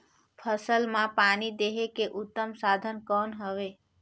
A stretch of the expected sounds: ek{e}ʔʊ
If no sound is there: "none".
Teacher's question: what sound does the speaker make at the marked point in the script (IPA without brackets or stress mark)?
e